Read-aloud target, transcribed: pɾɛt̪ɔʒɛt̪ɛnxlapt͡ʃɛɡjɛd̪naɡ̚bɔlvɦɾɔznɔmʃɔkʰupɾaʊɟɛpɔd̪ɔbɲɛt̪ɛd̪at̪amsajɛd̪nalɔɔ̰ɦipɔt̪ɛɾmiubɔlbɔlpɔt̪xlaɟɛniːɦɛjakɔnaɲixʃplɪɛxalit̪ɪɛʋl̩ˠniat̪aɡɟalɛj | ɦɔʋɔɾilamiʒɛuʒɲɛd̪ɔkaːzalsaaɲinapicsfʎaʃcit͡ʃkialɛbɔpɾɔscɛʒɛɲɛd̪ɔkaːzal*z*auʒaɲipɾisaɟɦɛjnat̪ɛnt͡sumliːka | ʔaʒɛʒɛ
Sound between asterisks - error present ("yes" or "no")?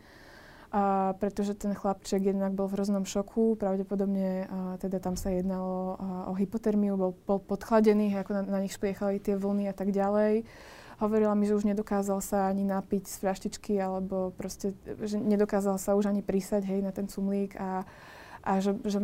yes